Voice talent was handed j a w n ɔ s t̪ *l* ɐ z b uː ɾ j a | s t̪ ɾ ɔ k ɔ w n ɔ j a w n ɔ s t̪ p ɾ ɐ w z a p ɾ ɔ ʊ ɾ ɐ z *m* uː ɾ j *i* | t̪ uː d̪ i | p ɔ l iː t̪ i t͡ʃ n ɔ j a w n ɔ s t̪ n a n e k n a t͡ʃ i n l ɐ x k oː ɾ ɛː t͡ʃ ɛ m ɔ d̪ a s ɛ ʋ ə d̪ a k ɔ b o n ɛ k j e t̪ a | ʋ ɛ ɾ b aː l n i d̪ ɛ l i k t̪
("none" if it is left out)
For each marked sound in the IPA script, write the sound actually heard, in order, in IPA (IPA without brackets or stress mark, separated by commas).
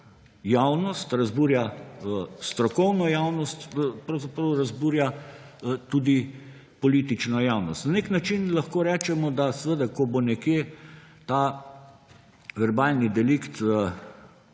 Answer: ɾ, b, a